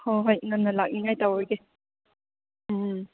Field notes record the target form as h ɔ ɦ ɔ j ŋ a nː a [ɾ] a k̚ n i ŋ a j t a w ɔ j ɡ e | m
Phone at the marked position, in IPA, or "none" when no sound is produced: l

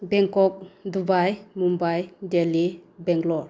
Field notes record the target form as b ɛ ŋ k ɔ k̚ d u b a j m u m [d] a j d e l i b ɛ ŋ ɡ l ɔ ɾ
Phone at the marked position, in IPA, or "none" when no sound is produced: b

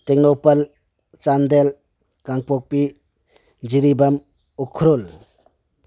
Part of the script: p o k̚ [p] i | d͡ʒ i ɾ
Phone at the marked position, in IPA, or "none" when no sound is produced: p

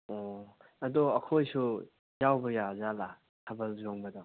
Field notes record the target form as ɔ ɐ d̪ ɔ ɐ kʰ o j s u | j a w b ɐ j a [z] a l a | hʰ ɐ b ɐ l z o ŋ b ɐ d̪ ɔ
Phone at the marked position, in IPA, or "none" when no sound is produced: z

